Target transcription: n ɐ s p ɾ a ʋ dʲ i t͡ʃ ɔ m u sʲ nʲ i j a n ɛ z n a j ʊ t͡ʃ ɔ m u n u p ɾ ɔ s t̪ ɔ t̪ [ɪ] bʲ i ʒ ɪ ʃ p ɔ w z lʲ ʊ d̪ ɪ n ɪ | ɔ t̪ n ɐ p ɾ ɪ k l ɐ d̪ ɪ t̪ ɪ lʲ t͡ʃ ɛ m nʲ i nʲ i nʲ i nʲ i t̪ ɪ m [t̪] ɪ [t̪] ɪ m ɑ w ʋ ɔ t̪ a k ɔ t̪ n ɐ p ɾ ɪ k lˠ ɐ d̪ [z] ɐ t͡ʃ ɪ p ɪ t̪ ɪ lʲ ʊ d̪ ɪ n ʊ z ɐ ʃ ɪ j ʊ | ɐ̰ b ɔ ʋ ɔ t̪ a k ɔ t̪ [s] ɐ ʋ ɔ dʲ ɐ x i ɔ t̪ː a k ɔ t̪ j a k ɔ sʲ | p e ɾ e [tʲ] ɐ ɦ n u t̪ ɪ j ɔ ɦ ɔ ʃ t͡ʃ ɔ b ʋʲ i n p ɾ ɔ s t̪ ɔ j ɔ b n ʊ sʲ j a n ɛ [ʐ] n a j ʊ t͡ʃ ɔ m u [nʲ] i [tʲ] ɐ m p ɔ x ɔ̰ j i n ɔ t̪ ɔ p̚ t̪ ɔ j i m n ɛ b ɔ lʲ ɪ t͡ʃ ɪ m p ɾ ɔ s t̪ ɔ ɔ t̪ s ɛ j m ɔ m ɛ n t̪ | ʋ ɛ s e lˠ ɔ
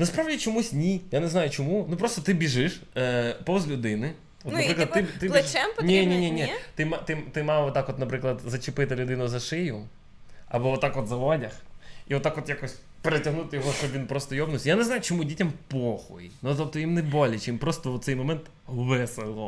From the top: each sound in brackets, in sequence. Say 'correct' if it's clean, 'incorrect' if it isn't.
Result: correct, correct, correct, correct, incorrect: z, correct, incorrect: z, incorrect: dʲ, correct

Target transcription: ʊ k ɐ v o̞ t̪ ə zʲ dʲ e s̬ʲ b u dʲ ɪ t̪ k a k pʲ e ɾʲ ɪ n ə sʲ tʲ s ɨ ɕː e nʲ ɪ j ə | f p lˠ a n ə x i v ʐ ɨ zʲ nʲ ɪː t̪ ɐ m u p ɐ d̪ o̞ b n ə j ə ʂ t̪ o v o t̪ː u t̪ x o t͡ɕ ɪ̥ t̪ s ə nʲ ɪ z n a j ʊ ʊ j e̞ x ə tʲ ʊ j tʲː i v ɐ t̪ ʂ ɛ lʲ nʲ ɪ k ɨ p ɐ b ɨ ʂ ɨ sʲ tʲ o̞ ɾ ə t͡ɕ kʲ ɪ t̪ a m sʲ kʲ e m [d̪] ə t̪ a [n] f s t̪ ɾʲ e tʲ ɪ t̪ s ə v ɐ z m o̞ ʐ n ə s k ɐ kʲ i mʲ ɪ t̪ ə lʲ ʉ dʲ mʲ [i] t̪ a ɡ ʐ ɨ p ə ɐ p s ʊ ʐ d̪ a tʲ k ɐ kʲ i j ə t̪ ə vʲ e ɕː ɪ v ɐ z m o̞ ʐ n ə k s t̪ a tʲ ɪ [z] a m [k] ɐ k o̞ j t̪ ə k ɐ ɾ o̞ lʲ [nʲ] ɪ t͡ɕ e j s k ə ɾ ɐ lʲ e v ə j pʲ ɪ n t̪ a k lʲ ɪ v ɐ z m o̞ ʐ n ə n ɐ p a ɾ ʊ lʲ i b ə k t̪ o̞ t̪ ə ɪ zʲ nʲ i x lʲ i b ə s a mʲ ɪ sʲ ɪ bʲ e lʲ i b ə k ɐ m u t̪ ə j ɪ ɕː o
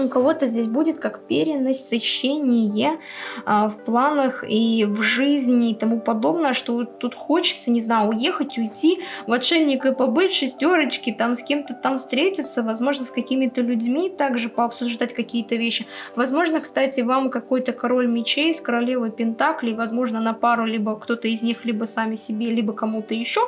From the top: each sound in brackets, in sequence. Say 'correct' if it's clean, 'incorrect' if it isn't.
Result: incorrect: t̪, incorrect: m, correct, incorrect: v, correct, incorrect: mʲ

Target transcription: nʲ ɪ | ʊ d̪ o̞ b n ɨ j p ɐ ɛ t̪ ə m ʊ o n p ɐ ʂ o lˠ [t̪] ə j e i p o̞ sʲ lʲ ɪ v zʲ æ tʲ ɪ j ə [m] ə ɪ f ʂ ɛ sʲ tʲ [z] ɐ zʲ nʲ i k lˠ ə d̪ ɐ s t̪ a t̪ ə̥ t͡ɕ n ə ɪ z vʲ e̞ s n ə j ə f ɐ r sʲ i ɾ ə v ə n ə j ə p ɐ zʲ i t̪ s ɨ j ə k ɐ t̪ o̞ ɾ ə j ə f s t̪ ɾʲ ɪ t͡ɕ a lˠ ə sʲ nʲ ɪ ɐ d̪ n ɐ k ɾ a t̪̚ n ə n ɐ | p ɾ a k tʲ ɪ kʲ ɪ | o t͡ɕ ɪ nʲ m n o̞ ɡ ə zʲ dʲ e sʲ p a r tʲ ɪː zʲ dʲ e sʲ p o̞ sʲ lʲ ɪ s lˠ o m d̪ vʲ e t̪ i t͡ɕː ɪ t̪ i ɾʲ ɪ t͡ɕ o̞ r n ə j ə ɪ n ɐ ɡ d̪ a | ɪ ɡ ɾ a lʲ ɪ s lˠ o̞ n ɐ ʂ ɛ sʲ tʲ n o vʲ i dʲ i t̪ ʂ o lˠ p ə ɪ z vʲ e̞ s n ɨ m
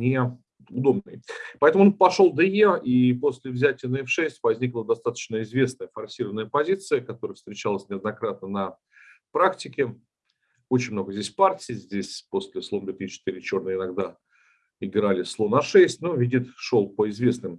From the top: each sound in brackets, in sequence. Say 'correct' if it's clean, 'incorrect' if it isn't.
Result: incorrect: d̪, incorrect: n, incorrect: v

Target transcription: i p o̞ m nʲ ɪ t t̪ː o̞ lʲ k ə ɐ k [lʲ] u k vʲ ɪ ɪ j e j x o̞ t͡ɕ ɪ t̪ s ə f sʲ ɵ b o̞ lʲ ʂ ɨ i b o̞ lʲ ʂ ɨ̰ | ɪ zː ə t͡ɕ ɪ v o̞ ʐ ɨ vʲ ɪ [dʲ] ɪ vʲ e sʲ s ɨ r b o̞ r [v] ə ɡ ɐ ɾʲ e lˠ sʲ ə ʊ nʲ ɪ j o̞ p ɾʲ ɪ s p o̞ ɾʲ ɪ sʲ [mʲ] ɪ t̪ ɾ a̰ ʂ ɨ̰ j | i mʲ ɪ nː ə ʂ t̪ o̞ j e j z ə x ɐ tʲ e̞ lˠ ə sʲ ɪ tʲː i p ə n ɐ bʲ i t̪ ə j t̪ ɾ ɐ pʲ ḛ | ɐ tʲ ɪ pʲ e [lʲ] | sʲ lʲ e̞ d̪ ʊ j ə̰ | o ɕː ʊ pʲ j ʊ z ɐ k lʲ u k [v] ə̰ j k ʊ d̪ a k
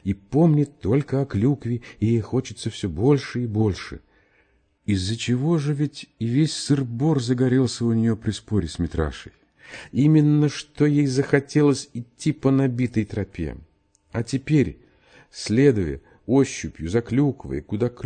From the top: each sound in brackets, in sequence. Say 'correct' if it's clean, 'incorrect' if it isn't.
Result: correct, incorrect: tʲ, incorrect: z, correct, incorrect: ɾʲ, correct

